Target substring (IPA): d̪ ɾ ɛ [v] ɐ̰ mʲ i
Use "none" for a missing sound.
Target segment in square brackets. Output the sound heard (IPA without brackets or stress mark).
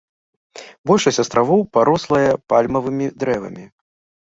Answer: v